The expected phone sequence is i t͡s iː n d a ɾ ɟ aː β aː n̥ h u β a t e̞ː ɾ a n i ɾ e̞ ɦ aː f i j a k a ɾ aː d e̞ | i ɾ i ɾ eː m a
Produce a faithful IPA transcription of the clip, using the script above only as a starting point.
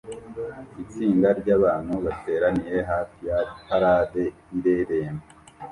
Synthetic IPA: i t͡s iː n d a ɾ ɟ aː β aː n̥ h u β a t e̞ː ɾ a n i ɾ e̞ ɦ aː f i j a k a ɾ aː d e̞ | i ɾ e ɾ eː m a